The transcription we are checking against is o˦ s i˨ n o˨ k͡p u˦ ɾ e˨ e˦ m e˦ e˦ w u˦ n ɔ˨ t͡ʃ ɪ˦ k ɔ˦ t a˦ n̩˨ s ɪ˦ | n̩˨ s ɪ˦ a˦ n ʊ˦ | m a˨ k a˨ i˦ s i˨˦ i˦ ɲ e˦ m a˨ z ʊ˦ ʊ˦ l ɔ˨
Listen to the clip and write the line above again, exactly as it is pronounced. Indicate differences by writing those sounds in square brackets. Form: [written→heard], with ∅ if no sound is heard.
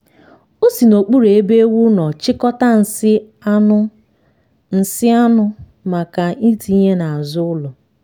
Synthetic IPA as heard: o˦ s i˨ n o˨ k͡p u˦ ɾ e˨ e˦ [m→b] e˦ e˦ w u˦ n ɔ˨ t͡ʃ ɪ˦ k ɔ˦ t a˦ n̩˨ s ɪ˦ | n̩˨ s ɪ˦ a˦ n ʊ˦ | m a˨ k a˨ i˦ [s→t] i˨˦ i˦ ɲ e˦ [m→n] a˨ z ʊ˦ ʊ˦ l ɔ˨